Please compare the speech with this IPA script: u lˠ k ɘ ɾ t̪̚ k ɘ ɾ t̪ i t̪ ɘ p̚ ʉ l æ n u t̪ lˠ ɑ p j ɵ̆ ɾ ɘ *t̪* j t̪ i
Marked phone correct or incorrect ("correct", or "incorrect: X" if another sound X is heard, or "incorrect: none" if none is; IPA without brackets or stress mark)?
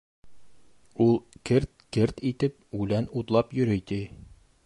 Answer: incorrect: none